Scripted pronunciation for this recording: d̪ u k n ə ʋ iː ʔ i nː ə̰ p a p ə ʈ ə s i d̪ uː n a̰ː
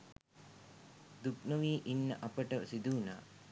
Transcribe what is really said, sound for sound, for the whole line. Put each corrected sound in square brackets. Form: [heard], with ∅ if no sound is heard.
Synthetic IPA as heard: d̪ u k n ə ʋ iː ʔ i nː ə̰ [ʔ] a p ə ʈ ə s i d̪ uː n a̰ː